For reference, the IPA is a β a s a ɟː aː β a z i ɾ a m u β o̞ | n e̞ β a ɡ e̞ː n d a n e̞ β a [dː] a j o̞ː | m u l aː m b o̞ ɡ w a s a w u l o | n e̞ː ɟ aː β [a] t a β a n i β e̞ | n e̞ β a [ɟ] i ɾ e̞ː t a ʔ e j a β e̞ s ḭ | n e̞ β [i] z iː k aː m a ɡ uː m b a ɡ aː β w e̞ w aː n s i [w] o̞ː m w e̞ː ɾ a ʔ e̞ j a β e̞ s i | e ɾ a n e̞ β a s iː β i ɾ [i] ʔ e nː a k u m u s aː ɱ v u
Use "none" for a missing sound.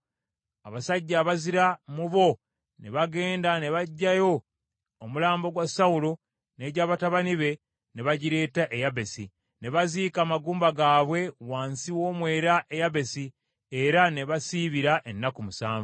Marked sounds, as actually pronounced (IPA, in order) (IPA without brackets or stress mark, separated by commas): ɟː, a, ɟ, a, w, a